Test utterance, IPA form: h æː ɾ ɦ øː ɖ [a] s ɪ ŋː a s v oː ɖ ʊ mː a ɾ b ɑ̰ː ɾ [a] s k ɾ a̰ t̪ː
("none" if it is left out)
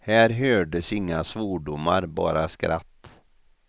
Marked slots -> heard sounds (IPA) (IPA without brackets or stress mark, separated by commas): ə, a